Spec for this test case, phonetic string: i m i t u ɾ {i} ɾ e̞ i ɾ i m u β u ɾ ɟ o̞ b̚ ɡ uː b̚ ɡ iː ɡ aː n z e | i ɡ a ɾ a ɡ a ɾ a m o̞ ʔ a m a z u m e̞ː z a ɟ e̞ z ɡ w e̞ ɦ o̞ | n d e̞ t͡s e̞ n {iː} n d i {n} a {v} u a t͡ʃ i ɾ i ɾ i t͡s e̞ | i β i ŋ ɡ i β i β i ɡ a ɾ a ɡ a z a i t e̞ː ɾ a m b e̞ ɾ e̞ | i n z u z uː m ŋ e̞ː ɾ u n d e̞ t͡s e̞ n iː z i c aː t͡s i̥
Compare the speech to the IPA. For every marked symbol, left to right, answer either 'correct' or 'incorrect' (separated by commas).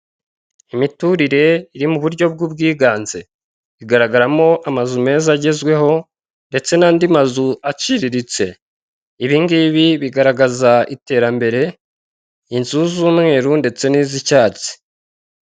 correct, incorrect, incorrect, incorrect